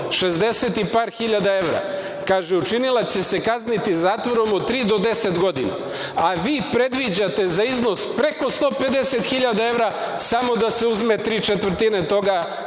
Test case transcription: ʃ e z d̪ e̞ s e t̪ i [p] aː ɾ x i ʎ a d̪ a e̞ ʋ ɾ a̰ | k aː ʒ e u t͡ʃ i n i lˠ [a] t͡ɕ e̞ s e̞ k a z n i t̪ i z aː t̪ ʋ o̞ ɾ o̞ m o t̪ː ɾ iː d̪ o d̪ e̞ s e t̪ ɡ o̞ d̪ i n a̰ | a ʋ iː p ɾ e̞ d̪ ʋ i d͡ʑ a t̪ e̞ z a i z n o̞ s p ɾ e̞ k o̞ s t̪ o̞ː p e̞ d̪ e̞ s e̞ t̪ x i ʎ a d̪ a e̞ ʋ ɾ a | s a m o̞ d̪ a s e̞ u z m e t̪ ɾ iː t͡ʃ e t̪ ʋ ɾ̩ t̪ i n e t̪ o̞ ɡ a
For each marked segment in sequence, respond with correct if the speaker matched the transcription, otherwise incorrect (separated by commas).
correct, correct